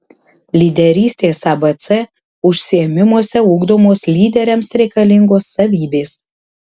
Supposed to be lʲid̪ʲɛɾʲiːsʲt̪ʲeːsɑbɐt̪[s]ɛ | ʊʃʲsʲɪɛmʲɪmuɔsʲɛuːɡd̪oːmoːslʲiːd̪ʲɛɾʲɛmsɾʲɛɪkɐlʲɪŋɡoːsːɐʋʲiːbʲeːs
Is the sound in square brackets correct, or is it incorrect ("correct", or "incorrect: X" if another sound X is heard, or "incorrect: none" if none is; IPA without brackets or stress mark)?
correct